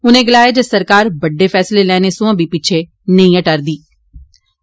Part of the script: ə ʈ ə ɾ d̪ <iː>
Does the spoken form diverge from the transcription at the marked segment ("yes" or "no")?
no